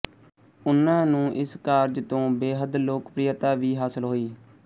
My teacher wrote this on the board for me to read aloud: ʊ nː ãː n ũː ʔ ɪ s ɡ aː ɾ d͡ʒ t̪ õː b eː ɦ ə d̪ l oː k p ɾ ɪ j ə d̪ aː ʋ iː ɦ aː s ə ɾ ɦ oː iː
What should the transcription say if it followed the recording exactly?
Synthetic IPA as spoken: ʊ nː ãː n ũː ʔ ɪ s k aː ɾ d͡ʒ t̪ õː b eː ɦ ə d̪ l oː k p ɾ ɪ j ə t̪ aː ʋ iː ɦ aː s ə l ɦ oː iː